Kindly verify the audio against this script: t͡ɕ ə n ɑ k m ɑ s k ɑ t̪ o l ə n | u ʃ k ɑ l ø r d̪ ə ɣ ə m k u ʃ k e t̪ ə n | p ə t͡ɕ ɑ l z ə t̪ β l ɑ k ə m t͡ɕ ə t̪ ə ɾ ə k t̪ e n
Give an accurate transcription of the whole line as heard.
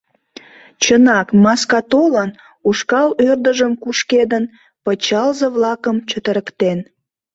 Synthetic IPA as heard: t͡ɕ ə n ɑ k m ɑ s k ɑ t̪ o l ə n | u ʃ k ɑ l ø r d̪ ə ʒ ə m k u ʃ k e d̪ ə n | p ə t͡ɕ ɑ l z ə β l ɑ k ə m t͡ɕ ə t̪ ə ɾ ə k t̪ e n